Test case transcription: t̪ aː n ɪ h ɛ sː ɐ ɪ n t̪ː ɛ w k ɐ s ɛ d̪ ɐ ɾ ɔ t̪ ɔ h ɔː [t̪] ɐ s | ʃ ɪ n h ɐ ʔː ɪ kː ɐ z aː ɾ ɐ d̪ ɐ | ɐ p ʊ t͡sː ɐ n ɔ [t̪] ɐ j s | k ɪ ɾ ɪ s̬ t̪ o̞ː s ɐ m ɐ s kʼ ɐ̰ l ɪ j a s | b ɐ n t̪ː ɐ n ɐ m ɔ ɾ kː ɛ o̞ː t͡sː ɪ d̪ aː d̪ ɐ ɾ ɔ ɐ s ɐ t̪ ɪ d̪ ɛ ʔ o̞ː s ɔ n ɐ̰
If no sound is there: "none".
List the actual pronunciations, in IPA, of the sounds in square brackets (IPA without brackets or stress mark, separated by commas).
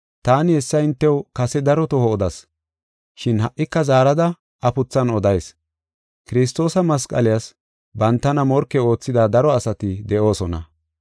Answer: d̪, d̪